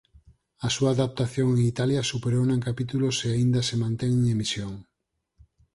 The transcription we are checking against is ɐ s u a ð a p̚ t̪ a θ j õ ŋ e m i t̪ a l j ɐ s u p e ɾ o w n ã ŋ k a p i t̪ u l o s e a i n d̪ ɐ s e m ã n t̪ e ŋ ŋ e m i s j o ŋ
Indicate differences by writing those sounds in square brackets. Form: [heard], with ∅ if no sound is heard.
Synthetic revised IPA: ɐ s u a ð a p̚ t̪ a θ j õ ŋ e [ŋ] i t̪ a l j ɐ s u p e ɾ o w n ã ŋ k a p i t̪ u l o s e a i n d̪ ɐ s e m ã n t̪ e ŋ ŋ e m i s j o ŋ

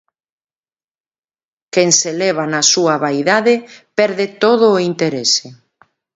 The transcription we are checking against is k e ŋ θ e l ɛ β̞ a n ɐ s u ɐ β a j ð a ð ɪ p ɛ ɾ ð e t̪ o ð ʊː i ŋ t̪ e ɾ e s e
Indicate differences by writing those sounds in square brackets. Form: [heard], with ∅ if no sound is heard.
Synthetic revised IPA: k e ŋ [s] e l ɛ β̞ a n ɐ s u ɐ β a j ð a ð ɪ p ɛ ɾ ð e t̪ o ð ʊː i [n] t̪ e ɾ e s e

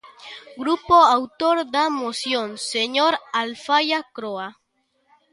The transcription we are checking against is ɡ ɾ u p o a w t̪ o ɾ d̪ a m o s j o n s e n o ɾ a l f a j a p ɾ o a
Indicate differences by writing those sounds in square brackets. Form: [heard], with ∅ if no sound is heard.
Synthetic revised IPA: ɡ ɾ u p o a w t̪ o ɾ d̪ a m o s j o n s e [ɲ] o ɾ a l f a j a [k] ɾ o a

